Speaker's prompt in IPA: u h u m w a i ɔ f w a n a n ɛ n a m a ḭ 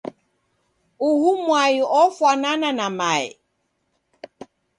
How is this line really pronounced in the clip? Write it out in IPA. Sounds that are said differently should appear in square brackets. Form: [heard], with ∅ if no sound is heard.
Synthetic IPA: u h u m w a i ɔ f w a n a n [a] n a m a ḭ